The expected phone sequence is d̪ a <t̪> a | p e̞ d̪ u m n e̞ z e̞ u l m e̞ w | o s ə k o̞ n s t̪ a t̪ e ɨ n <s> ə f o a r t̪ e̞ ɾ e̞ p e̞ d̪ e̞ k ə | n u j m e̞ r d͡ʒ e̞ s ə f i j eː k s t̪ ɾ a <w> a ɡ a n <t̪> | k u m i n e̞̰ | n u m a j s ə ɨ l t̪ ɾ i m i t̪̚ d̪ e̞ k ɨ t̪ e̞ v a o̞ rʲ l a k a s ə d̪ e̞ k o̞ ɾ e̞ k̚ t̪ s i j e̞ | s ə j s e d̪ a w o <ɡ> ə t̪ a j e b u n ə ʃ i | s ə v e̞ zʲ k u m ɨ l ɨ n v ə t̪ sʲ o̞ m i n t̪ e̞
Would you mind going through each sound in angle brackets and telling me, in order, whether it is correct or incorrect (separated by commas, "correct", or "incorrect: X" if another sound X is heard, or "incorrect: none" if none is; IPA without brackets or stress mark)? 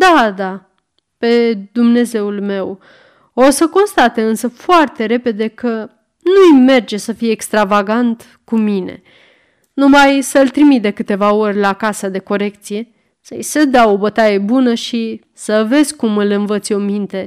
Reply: incorrect: d̪, correct, incorrect: v, correct, incorrect: b